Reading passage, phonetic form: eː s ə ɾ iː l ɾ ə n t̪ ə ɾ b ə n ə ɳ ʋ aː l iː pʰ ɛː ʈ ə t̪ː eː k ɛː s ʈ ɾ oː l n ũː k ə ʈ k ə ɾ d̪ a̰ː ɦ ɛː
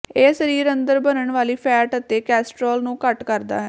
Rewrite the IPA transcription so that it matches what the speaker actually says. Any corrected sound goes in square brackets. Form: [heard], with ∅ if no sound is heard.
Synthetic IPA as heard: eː s ə ɾ iː [∅] ɾ ə n [d̪] ə ɾ b ə n ə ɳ ʋ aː l iː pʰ ɛː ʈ ə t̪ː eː k ɛː s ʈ ɾ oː l n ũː k ə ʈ k ə ɾ d̪ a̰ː ɦ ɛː